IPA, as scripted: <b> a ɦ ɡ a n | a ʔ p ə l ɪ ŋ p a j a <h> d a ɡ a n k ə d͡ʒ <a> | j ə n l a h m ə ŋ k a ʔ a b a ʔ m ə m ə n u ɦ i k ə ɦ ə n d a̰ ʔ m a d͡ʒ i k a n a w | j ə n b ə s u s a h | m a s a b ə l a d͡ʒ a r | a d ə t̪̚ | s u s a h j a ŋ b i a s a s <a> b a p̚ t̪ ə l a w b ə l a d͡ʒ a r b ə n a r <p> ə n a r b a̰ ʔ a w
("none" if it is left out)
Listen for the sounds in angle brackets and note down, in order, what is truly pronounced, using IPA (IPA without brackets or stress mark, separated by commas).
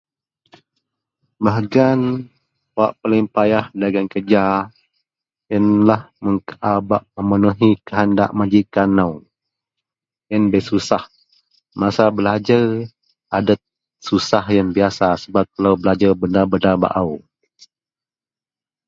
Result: b, h, a, ə, b